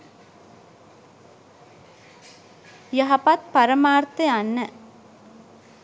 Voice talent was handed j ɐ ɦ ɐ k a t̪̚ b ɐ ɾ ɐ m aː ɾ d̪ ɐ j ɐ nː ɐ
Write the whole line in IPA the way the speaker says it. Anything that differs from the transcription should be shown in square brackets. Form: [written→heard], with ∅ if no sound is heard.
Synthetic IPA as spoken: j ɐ ɦ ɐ [k→p] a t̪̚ [b→p] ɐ ɾ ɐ m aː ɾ [d̪→t̪] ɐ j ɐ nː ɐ